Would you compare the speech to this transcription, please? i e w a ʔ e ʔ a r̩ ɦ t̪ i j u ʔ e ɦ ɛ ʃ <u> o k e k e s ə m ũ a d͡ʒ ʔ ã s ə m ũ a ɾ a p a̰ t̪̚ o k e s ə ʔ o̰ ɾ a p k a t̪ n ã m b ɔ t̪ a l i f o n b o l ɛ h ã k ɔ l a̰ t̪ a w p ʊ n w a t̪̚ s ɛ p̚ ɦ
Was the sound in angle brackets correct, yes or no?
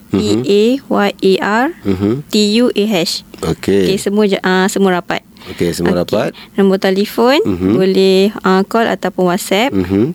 no